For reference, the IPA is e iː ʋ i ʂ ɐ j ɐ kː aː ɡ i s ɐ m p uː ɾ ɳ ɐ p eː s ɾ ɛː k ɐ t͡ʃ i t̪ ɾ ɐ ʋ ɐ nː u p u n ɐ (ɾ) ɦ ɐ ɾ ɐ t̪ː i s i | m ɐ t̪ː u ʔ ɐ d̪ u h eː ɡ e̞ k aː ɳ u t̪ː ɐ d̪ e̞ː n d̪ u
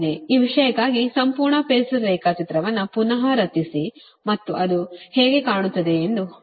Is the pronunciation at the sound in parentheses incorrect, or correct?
incorrect